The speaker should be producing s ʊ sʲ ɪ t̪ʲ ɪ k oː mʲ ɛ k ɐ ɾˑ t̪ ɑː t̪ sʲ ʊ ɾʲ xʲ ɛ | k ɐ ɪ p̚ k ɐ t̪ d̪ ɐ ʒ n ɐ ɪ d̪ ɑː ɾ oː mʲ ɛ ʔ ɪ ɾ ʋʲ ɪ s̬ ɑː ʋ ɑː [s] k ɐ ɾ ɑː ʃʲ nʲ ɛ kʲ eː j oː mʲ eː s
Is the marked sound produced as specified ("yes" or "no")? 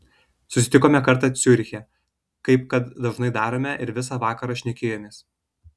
no